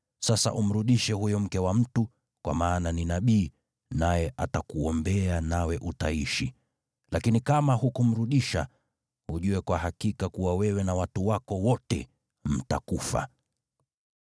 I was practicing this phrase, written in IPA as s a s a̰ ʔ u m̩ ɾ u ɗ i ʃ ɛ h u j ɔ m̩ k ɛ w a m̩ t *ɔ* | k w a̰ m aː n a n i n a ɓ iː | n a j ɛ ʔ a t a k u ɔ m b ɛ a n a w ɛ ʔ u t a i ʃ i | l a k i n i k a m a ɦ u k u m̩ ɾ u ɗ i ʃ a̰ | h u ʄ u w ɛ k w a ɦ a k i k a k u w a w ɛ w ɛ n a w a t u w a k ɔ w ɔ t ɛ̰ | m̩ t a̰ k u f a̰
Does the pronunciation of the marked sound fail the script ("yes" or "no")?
yes